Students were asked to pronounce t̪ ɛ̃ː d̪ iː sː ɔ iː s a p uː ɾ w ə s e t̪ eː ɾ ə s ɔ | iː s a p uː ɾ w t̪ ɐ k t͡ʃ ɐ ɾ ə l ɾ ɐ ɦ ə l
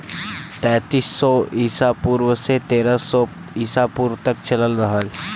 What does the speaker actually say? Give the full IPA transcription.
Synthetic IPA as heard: t̪ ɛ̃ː t̪ iː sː ɔ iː s a p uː ɾ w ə s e t̪ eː ɾ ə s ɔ | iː s a p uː ɾ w t̪ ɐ k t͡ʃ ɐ l ə l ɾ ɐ ɦ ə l